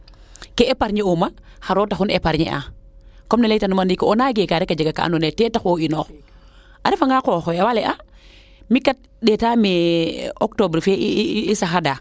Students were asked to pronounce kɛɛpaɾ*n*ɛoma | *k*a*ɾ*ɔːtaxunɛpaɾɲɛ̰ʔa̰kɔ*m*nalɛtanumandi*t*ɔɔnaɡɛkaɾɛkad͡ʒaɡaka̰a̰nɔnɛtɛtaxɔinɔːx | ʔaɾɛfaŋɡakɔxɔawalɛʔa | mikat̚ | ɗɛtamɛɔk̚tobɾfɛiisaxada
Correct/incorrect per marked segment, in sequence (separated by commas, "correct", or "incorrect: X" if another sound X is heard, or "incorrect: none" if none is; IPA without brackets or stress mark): incorrect: ɲ, incorrect: x, correct, correct, incorrect: k